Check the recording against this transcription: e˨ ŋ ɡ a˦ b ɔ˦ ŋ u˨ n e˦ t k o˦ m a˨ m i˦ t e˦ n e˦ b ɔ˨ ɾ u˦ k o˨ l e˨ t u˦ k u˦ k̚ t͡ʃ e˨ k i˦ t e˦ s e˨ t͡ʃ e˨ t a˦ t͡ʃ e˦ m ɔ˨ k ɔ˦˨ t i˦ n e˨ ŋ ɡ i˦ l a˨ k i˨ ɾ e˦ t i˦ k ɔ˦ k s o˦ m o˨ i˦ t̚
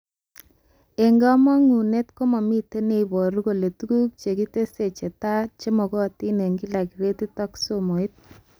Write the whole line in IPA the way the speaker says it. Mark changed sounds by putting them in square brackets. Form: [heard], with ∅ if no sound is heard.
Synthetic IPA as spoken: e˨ ŋ ɡ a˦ [m] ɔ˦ ŋ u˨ n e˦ t k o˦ m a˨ m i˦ t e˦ n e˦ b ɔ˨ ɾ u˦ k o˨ l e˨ t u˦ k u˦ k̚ t͡ʃ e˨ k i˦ t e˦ s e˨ t͡ʃ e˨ t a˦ t͡ʃ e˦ m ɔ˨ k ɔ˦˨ t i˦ n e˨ ŋ ɡ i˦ l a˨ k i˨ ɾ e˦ t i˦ [t] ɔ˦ k s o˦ m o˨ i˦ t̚